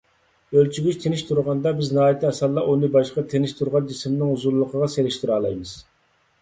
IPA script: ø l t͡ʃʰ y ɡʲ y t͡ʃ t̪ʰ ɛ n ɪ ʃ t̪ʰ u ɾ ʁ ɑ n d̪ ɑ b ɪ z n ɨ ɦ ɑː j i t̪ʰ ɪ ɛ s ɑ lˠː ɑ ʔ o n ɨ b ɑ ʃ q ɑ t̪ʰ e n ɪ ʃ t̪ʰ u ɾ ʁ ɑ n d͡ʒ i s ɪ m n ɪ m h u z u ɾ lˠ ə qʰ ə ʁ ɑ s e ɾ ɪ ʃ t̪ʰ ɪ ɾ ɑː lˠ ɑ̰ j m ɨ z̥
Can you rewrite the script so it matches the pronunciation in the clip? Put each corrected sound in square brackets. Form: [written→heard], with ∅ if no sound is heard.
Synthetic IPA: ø l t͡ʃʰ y ɡʲ y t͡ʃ t̪ʰ [ɛ→e] n ɪ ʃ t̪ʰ u ɾ ʁ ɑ n d̪ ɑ b ɪ z n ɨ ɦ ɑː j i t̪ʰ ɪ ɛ s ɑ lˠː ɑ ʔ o n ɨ b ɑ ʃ q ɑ t̪ʰ e n ɪ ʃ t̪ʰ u ɾ ʁ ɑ n d͡ʒ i s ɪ m n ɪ [m→ŋ] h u z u ɾ lˠ ə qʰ ə ʁ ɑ s e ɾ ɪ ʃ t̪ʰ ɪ ɾ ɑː lˠ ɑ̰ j m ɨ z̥